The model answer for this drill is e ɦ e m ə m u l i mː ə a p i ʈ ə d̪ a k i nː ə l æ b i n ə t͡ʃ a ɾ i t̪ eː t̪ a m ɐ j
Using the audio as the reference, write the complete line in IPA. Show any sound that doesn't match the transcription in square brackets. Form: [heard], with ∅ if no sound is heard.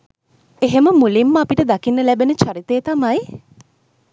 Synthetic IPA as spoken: e ɦ e m ə m u l i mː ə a p i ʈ ə d̪ a k i nː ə l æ b [e] n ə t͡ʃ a ɾ i t̪ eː t̪ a m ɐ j